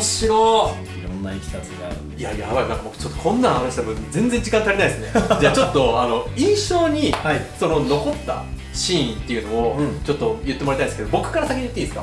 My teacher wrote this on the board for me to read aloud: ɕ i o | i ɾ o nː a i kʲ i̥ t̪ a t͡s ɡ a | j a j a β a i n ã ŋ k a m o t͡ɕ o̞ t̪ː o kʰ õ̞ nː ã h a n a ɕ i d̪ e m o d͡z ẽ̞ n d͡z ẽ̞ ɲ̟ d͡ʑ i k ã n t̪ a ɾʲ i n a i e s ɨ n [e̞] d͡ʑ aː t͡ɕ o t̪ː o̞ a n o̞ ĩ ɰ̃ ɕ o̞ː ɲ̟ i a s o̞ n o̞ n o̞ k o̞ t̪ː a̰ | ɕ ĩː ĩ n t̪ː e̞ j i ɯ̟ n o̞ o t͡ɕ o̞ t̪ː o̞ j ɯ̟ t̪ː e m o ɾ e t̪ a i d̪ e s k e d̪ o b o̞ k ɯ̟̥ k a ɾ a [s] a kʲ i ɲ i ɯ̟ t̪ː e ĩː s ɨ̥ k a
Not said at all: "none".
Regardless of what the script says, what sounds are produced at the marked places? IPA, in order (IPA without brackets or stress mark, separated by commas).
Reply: e̞, s